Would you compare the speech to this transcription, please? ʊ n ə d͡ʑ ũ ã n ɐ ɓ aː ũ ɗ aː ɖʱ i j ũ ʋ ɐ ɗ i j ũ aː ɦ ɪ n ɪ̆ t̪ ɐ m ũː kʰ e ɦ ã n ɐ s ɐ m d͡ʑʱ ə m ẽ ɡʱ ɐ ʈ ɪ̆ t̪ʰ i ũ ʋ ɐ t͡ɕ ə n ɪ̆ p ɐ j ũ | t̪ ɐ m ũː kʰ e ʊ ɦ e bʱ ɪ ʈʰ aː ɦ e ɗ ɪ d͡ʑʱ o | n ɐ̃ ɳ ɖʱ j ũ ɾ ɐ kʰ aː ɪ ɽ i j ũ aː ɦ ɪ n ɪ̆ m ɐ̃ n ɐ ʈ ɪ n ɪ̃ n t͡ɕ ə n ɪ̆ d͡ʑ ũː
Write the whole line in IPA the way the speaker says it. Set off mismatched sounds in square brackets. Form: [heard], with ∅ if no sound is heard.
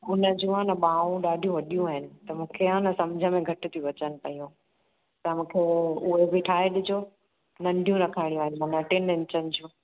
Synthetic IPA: ʊ n ə d͡ʑ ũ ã n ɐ ɓ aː ũ ɗ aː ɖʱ i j ũ ʋ ɐ ɗ i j ũ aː ɦ ɪ n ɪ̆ t̪ ɐ m ũː kʰ e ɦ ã n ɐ s ɐ m d͡ʑʱ ə m ẽ ɡʱ ɐ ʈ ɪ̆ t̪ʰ i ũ ʋ ɐ t͡ɕ ə n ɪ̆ p ɐ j ũ | t̪ ɐ m ũː kʰ e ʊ ɦ e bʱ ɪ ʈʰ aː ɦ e ɗ ɪ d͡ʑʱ o | n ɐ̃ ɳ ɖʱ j ũ ɾ ɐ kʰ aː ɪ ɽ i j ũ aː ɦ ɪ n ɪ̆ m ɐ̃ n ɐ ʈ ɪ n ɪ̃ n t͡ɕ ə n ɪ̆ d͡ʑ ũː